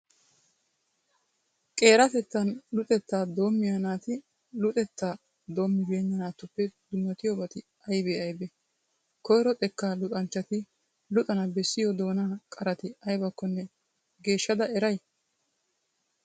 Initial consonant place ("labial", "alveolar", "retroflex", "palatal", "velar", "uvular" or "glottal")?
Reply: velar